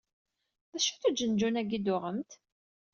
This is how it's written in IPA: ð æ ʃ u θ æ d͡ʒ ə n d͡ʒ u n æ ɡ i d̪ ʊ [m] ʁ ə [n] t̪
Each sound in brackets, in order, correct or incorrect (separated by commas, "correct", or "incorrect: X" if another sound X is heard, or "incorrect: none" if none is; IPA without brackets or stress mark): incorrect: none, incorrect: m